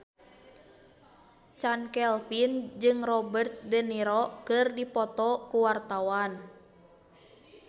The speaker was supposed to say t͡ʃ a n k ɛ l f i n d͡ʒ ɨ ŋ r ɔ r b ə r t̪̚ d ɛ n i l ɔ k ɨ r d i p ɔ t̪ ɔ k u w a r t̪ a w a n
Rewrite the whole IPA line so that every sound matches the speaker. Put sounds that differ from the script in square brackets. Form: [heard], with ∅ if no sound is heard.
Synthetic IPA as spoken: t͡ʃ a n k ɛ l f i n d͡ʒ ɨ ŋ r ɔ [∅] b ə r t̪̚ d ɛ n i [ɾ] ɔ k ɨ r d i p ɔ t̪ ɔ k u w a r t̪ a w a n

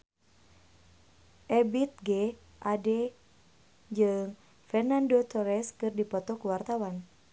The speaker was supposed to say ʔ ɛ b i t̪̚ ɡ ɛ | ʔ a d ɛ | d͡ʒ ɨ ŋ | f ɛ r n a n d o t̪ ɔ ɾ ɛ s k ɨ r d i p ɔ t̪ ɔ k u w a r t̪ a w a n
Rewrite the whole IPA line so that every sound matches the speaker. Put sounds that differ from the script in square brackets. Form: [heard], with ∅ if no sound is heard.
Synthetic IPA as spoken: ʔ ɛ b i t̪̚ ɡ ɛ | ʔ a d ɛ | d͡ʒ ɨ ŋ | f ɛ r n a n d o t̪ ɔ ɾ ɛ s k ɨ r d i p ɔ t̪ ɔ k u w a r t̪ a w a n

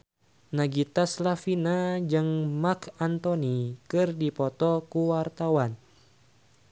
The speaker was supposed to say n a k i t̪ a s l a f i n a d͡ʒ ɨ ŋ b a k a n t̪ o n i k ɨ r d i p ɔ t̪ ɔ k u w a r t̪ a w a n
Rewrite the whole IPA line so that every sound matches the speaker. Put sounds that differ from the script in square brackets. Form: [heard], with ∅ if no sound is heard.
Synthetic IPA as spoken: n a [ɡ] i t̪ a s l a f i n a d͡ʒ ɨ ŋ [m] a k a n t̪ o n i k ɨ r d i p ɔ t̪ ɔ k u w a r t̪ a w a n

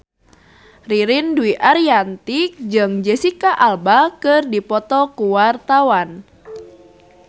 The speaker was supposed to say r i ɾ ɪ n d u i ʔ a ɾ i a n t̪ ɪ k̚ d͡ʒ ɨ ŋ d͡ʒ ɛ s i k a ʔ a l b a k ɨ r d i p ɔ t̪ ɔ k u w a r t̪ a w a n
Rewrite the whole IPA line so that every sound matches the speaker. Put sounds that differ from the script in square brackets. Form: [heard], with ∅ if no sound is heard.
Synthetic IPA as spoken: r i ɾ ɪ n d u i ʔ a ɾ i a n t̪ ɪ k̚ d͡ʒ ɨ ŋ d͡ʒ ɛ s i k a ʔ a l b a k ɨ r d i p ɔ t̪ ɔ k u w a r t̪ a w a n

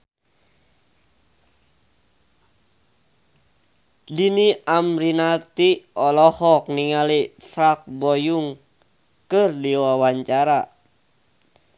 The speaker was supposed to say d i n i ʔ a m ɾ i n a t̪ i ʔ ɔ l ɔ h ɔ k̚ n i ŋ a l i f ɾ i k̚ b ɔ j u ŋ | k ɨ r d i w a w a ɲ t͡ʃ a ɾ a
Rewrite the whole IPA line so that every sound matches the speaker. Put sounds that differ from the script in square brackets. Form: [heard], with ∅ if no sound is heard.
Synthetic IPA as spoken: d i n i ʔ a m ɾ i n a t̪ i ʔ ɔ l ɔ h ɔ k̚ n i ŋ a l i f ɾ [a] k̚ b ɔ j u ŋ | k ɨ r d i w a w a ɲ t͡ʃ a ɾ a

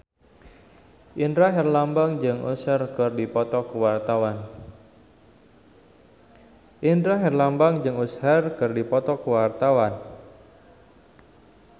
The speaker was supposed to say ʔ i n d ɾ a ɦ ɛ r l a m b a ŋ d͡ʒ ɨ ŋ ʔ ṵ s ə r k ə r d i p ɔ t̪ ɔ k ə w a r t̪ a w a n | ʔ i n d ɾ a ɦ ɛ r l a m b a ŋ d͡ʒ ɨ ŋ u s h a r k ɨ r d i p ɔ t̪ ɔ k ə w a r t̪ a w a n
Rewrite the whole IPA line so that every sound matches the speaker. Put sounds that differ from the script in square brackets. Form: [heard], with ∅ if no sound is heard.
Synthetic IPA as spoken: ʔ i n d ɾ a ɦ ɛ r l a m b a ŋ d͡ʒ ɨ ŋ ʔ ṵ s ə r k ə r d i p ɔ t̪ ɔ k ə w a r t̪ a w a n | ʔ i n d ɾ a ɦ ɛ r l a m b a ŋ d͡ʒ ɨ ŋ u s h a r k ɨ r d i p ɔ t̪ ɔ k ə w a r t̪ a w a n

